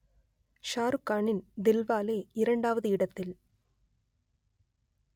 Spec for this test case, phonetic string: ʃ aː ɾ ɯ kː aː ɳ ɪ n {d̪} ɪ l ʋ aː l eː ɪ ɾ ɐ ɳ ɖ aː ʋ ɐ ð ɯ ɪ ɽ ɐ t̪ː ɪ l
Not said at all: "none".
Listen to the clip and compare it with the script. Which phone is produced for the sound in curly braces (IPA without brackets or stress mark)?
d̪